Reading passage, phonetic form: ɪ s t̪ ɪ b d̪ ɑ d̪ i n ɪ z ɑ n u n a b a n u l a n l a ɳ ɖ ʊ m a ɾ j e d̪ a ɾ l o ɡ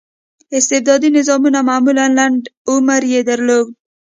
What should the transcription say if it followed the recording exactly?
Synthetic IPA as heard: ɪ s t̪ ɪ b d̪ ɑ d̪ i n ɪ z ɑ m u n a m a m u l a n l a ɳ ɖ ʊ m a ɾ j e d̪ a ɾ l o ɡ